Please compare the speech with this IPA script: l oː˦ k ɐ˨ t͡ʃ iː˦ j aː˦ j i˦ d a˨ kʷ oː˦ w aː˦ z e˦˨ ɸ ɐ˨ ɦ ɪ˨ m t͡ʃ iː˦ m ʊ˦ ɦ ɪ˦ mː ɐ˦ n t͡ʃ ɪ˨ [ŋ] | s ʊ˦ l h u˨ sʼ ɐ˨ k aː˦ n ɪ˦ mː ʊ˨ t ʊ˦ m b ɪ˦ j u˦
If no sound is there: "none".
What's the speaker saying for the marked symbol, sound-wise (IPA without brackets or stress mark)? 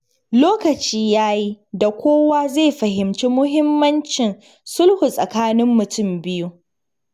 n